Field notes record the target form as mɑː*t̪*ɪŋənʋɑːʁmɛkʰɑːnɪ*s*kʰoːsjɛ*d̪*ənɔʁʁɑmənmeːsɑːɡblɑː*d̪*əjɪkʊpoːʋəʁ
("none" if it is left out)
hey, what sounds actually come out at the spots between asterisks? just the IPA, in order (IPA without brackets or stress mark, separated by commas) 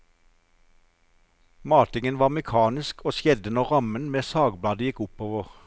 t̪, s, d̪, d̪